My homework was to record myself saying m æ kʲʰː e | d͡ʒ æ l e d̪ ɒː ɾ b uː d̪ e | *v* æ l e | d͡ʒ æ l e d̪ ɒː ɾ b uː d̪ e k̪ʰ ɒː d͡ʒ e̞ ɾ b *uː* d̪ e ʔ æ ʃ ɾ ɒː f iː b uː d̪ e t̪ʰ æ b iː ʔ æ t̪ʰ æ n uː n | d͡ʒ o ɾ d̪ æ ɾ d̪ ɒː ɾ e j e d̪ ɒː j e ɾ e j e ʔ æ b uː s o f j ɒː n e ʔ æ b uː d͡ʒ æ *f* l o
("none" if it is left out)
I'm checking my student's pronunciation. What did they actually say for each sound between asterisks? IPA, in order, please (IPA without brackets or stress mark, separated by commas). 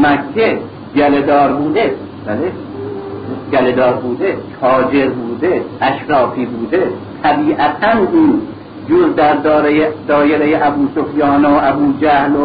b, uː, h